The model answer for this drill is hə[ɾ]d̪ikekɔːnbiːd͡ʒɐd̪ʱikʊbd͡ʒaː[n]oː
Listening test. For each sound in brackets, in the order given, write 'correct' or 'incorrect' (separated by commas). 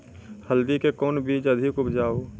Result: incorrect, incorrect